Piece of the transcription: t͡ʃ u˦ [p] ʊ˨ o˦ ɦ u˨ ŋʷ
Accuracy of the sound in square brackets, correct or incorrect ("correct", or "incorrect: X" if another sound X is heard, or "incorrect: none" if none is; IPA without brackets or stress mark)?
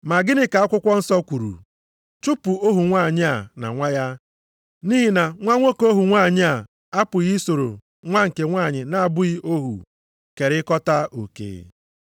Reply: correct